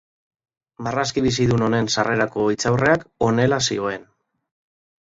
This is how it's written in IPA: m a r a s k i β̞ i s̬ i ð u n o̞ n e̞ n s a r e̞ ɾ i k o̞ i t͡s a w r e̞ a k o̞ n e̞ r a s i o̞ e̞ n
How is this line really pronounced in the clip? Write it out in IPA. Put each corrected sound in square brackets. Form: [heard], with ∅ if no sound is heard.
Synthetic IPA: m a r a s k i β̞ i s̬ i ð u n o̞ n e̞ n s a r e̞ ɾ [a] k o̞ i t͡s a w r e̞ a k o̞ n e̞ [l] a s i o̞ e̞ n